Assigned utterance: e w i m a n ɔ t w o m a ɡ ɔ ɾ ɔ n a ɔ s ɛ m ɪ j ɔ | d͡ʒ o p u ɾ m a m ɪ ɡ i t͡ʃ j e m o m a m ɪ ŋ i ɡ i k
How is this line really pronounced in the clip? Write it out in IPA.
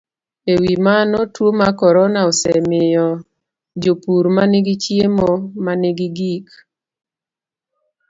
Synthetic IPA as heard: e w i m a n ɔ t w o m a k ɔ ɾ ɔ n a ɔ s ɛ m ɪ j ɔ | d͡ʒ o p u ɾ m a n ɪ ɡ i t͡ʃ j e m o m a n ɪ ɡ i ɡ i k